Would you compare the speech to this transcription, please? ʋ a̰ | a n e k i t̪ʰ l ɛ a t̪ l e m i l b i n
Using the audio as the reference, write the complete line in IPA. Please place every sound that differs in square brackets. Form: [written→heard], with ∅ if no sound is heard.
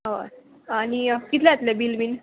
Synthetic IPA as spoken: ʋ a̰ | a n [e→i] k i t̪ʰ l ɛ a t̪ l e [m→b] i l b i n